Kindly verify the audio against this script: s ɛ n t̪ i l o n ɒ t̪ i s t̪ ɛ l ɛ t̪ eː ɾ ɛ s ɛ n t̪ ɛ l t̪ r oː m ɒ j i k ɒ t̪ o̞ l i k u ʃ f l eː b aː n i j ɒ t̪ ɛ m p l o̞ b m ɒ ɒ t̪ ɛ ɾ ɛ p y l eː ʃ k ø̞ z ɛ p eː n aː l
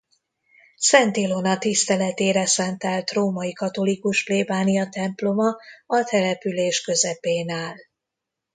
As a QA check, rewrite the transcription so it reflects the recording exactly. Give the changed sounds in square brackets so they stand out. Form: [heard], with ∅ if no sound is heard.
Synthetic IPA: s ɛ n t̪ i l o n ɒ t̪ i s t̪ ɛ l ɛ t̪ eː ɾ ɛ s ɛ n t̪ ɛ l t̪ r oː m ɒ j i k ɒ t̪ o̞ l i k u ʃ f l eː b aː n i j ɒ t̪ ɛ m p l o̞ [∅] m ɒ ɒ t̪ ɛ [l] ɛ p y l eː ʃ k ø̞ z ɛ p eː n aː l